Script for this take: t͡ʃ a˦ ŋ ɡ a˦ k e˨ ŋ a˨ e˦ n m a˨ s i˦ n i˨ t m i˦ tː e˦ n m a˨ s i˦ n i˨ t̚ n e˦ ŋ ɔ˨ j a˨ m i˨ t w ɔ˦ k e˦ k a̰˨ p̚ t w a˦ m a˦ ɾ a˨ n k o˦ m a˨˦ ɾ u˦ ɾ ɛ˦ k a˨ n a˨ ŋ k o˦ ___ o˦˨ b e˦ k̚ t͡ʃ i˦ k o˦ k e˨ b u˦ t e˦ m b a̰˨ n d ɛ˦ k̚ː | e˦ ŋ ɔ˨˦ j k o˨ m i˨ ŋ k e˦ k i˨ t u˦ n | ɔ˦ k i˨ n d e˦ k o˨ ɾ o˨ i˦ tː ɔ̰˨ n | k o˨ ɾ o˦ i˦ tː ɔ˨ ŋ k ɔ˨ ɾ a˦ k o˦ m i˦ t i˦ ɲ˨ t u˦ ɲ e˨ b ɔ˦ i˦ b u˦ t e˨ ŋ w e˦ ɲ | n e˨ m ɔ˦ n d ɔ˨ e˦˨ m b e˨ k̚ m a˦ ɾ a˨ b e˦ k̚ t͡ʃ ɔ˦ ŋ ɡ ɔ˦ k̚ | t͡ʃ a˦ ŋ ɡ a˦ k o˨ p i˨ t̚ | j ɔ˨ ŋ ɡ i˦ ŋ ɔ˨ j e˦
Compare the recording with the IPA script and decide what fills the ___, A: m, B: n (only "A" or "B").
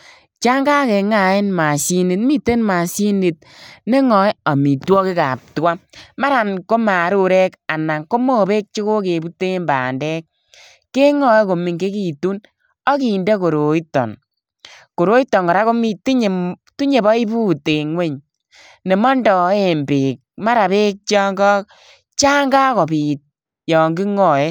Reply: A